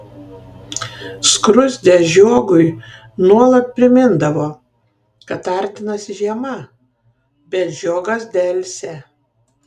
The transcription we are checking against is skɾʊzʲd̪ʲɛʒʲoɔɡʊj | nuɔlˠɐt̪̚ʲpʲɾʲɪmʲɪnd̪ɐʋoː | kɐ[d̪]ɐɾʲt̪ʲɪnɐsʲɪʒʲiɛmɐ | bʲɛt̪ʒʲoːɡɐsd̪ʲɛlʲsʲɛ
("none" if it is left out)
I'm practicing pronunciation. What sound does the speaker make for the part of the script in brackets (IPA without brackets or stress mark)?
t̪